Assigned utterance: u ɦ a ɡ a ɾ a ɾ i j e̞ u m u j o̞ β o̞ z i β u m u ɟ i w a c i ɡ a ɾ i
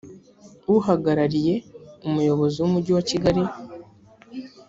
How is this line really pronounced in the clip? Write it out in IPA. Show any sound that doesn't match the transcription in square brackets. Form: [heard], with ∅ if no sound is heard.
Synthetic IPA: u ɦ a ɡ a ɾ a ɾ i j e̞ u m u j o̞ β o̞ z i [w] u m u ɟ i w a c i ɡ a ɾ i